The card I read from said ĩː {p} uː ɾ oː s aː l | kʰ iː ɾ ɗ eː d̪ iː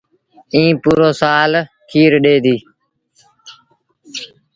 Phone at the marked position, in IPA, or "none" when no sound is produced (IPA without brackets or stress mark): p